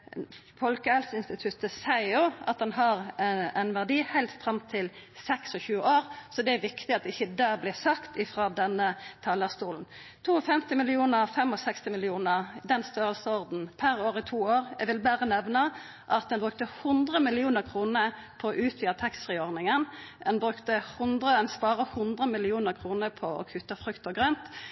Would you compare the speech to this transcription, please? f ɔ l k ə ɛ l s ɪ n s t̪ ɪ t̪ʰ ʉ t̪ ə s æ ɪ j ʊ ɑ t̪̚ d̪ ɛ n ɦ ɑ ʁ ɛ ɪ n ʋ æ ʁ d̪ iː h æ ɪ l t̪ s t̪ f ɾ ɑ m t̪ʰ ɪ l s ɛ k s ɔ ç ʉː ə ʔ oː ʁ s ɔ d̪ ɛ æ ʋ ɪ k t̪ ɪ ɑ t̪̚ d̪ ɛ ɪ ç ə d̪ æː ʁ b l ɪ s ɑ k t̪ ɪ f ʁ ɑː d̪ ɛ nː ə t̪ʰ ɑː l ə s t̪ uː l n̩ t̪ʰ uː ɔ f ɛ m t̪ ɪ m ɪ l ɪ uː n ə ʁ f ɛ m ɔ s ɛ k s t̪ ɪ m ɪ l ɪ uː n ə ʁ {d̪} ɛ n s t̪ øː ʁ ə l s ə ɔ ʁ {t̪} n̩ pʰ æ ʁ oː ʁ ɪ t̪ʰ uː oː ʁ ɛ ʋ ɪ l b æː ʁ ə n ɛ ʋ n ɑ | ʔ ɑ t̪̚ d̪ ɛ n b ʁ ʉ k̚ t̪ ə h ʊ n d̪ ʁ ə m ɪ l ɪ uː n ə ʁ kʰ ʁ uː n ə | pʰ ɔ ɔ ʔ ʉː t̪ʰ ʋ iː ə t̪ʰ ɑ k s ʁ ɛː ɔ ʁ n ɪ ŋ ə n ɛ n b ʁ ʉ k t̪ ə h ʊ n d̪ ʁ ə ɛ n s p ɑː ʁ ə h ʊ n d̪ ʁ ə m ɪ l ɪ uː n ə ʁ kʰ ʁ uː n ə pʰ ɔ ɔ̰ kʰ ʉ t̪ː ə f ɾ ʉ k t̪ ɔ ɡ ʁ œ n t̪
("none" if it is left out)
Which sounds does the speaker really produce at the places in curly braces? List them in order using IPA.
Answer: d̪, d̪

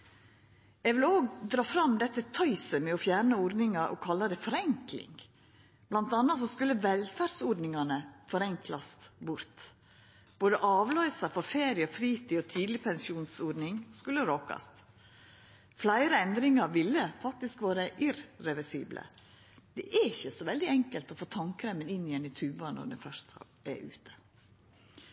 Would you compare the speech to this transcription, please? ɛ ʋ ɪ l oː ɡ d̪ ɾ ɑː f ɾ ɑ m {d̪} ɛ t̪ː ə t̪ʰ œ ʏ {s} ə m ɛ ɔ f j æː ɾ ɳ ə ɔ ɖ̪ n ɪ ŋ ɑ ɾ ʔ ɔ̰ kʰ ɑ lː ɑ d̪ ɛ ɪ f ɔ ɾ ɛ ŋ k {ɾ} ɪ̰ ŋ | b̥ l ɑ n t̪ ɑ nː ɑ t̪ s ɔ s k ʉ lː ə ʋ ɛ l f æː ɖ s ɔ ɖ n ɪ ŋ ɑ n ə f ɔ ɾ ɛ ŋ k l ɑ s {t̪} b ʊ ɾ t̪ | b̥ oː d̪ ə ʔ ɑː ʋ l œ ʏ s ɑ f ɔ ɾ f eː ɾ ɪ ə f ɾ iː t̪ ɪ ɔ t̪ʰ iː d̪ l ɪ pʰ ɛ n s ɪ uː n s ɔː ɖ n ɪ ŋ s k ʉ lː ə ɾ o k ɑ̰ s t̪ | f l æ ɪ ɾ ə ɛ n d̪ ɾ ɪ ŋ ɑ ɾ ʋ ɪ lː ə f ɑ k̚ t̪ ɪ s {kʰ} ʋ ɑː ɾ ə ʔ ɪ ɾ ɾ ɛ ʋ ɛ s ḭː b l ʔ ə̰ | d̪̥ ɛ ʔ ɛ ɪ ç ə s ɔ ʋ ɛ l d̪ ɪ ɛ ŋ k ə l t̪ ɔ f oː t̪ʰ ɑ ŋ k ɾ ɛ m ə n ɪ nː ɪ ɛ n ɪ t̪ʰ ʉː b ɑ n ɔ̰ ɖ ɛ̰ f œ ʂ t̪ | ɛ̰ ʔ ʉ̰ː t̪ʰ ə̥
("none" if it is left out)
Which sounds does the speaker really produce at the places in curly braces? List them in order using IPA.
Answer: d̪, s, l, t̪, k

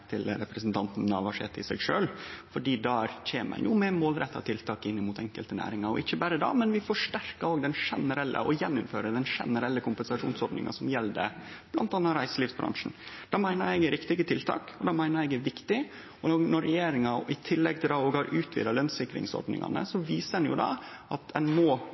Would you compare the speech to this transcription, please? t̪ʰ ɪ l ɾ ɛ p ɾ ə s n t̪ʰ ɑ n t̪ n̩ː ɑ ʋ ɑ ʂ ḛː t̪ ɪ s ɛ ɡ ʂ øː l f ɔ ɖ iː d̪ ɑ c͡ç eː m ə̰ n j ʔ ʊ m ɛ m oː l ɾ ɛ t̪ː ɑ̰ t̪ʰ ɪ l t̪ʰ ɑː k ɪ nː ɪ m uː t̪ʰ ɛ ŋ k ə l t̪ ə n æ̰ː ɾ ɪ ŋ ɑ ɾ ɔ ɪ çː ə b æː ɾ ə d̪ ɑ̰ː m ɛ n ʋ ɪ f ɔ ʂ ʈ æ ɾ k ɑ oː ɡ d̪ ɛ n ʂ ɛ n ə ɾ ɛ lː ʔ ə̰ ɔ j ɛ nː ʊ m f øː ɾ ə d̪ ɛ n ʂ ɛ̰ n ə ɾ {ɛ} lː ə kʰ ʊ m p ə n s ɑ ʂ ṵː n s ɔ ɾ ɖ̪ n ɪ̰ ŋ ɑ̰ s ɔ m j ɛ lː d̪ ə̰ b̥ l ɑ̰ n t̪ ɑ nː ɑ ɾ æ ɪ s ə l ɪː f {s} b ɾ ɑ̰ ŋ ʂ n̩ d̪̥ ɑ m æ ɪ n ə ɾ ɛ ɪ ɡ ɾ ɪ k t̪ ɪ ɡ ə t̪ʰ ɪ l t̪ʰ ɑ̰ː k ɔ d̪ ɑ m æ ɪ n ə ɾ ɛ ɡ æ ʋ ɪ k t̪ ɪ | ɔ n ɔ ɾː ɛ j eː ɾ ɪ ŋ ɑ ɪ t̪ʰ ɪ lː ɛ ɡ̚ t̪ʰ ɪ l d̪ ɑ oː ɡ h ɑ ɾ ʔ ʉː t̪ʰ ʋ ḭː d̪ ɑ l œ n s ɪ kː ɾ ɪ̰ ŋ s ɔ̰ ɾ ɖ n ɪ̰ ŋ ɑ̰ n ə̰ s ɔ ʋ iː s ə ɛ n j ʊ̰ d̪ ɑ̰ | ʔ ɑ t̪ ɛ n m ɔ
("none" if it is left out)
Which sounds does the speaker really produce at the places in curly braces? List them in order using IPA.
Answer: ɛ, s

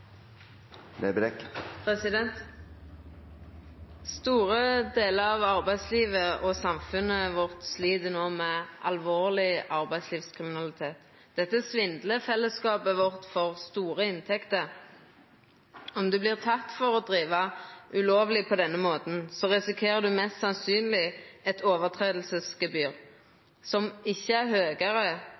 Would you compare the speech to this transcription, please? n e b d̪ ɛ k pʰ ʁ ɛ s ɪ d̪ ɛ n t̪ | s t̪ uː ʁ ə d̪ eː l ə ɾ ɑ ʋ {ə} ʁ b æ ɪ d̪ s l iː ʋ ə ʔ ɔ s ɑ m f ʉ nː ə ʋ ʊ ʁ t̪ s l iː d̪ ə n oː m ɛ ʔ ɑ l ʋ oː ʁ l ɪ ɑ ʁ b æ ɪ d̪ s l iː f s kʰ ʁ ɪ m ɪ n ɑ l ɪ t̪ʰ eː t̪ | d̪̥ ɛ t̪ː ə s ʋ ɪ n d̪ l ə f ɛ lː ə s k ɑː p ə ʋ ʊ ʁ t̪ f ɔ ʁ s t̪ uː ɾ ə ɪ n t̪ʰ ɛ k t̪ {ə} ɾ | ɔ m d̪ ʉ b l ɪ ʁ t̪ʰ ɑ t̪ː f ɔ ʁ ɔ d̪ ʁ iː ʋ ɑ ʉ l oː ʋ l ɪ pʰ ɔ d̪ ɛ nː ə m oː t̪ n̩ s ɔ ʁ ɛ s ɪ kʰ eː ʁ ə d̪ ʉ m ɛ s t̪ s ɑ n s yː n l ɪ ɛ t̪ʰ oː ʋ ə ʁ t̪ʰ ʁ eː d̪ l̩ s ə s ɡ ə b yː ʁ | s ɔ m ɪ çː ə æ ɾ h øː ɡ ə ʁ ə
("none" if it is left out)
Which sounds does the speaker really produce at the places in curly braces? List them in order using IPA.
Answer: ɑ, ə

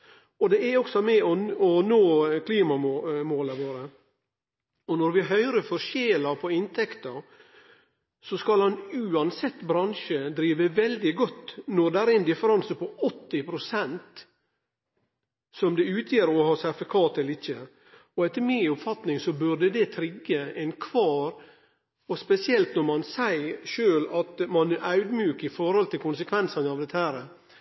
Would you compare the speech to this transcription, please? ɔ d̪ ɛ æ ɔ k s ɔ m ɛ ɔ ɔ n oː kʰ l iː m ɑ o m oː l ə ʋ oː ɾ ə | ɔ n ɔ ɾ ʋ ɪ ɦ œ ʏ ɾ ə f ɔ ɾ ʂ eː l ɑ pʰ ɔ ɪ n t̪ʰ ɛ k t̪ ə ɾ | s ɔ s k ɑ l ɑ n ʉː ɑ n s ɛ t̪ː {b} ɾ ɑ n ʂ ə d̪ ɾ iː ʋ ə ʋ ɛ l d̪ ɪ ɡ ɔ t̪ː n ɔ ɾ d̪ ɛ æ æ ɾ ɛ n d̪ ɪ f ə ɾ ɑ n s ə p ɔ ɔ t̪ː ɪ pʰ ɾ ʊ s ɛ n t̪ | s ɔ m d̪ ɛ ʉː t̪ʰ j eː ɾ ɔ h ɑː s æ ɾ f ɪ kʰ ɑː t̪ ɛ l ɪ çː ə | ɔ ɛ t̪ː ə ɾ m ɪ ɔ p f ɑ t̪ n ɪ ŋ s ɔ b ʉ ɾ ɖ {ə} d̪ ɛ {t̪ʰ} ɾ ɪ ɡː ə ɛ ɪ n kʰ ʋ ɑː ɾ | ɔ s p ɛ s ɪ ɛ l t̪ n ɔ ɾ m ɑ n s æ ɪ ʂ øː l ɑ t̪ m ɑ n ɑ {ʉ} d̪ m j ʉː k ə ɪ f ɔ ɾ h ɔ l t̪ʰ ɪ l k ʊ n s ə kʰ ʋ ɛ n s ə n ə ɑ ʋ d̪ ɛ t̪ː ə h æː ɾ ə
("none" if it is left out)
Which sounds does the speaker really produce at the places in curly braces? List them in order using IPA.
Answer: b, ə, t̪ʰ, ʉ

